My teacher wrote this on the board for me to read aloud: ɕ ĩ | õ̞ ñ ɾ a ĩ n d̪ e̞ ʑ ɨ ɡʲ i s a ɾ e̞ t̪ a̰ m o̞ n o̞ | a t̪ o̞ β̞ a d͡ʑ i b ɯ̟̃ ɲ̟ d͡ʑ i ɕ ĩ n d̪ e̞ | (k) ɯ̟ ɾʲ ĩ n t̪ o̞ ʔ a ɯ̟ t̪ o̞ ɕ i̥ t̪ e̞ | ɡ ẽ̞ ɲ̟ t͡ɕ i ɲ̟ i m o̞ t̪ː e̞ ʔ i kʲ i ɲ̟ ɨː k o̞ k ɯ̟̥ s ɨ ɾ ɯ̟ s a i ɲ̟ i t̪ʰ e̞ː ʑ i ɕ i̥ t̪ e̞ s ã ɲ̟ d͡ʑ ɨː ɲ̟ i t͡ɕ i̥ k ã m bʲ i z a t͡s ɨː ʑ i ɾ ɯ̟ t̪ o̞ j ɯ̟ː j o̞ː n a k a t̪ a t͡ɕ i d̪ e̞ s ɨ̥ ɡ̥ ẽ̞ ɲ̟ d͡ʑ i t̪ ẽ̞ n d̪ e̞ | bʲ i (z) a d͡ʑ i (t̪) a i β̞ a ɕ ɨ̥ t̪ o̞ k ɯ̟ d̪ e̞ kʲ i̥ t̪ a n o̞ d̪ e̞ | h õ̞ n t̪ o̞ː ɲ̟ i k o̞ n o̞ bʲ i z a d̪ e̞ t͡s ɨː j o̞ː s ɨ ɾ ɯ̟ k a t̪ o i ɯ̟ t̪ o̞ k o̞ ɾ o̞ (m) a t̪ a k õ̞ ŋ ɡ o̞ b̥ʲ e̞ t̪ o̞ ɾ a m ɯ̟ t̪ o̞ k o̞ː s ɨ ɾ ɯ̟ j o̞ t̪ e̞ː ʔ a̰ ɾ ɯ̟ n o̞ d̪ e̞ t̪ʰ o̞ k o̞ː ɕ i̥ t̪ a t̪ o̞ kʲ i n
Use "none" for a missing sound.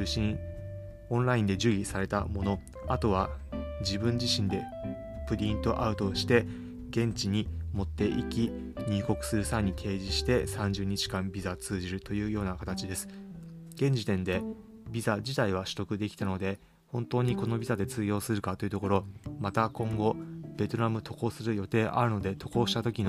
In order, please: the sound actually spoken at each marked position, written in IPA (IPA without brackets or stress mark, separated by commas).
p, z, t̪, m